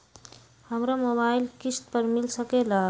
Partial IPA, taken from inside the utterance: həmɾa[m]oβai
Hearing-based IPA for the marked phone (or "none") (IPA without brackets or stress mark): m